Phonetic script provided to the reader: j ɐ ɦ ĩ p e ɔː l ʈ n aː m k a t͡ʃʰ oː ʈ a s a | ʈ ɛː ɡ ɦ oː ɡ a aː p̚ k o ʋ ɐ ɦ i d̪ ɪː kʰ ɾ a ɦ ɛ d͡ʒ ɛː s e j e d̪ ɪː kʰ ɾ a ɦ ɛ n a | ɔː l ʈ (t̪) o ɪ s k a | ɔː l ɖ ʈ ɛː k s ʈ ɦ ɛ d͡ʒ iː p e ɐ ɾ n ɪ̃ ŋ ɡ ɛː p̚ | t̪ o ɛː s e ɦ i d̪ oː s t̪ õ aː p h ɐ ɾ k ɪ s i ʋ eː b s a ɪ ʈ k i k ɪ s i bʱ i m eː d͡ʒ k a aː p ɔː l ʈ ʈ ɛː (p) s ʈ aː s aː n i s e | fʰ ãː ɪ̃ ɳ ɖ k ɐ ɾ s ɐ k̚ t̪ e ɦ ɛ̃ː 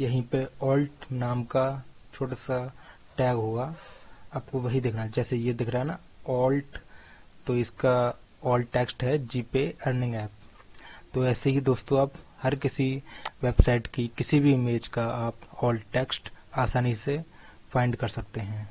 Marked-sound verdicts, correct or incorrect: correct, incorrect: k

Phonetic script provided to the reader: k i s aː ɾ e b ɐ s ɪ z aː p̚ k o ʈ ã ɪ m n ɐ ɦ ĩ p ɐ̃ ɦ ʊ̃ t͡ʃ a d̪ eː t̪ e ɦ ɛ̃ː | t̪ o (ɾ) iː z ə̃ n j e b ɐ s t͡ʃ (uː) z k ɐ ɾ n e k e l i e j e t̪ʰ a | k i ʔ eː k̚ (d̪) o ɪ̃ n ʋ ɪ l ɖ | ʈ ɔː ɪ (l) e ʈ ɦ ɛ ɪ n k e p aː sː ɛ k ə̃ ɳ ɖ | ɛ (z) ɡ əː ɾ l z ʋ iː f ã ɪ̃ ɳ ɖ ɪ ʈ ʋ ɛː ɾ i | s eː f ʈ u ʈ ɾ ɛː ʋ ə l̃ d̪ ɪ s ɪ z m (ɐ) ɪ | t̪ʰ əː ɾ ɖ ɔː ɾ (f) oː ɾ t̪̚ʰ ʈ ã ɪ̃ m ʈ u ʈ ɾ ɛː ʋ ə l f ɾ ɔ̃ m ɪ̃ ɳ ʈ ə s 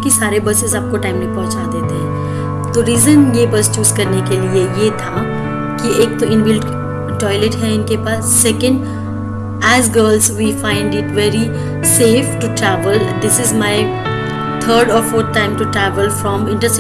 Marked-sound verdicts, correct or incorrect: correct, correct, incorrect: t̪, correct, correct, incorrect: a, correct

